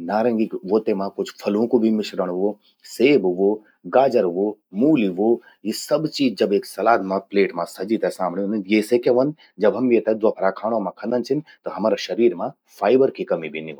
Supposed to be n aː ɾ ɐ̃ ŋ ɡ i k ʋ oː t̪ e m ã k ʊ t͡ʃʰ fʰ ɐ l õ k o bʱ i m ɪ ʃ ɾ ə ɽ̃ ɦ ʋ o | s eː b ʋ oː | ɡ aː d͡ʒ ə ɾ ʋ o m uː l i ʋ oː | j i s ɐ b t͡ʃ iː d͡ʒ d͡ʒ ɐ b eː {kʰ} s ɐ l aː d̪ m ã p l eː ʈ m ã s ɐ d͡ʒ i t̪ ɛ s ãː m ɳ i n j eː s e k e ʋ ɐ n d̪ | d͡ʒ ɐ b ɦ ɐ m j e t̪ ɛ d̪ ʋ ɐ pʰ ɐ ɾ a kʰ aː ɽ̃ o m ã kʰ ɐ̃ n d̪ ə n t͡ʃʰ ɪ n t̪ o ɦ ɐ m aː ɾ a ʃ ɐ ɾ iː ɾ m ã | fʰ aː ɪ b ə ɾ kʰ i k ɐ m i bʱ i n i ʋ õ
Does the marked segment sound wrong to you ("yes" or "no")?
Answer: yes